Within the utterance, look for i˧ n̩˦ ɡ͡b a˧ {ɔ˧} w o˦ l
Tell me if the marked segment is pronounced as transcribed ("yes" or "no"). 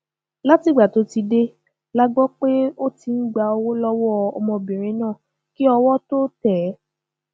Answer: no